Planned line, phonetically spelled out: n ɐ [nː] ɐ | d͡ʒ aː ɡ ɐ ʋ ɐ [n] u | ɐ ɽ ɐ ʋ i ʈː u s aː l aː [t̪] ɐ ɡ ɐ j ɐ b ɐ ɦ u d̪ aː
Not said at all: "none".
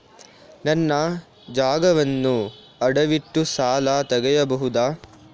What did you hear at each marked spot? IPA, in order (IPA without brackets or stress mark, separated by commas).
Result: nː, nː, t̪